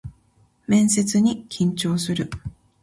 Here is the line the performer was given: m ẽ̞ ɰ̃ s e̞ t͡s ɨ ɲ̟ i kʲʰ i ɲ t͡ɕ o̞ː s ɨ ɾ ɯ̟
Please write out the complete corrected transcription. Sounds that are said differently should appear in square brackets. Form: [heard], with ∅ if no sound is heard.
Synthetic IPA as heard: m ẽ̞ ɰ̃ s e̞ t͡s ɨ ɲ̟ i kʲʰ [ĩ] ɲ t͡ɕ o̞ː s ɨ ɾ ɯ̟